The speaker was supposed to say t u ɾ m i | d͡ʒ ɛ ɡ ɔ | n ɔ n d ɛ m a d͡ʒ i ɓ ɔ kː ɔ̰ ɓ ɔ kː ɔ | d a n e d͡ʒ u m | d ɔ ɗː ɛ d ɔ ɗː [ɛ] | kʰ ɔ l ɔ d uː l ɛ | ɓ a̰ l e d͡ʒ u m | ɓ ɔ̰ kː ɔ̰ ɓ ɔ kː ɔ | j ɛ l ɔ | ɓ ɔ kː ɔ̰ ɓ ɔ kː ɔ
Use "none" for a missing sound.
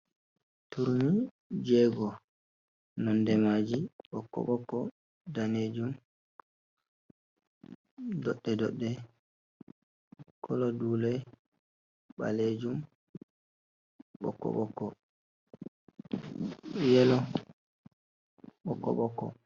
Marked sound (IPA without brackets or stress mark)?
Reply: ɛ